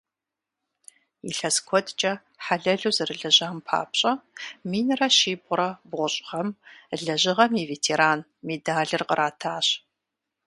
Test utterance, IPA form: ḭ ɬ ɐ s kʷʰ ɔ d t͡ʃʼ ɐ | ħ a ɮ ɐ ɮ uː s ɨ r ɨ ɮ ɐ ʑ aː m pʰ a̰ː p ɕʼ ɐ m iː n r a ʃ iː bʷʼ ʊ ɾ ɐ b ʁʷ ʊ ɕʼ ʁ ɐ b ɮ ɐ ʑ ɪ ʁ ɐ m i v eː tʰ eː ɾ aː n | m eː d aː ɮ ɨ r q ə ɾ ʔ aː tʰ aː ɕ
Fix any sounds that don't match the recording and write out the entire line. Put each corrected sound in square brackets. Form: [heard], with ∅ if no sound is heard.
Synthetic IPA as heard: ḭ ɬ ɐ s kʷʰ ɔ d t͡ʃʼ ɐ | ħ a ɮ ɐ ɮ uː [z] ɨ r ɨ ɮ ɐ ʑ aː m pʰ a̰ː p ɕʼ ɐ m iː n r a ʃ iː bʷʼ ʊ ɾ ɐ b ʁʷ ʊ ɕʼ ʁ ɐ [m] ɮ ɐ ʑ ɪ ʁ ɐ m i v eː tʰ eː ɾ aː n | m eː d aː ɮ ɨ r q ə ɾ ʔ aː tʰ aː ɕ